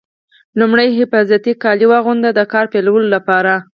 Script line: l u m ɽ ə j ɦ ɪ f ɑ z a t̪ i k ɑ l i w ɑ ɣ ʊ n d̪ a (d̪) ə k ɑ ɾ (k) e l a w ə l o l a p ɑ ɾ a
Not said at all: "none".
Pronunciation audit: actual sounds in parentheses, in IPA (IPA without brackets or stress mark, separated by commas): d̪, p